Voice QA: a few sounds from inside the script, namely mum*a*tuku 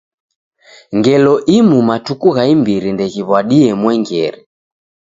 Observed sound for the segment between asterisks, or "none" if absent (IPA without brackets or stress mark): a